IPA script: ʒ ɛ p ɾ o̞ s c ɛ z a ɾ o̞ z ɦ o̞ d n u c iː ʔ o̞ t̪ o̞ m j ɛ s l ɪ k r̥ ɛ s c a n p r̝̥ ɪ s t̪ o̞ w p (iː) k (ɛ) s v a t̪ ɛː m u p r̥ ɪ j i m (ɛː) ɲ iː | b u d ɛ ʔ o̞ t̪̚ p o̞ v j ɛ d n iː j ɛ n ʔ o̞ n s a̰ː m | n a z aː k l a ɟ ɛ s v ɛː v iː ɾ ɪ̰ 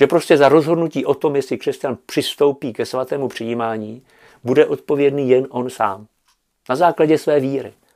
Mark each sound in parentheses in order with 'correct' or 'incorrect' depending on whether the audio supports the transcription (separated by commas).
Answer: correct, correct, incorrect